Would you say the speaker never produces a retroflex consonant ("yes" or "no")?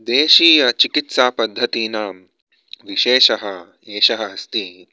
yes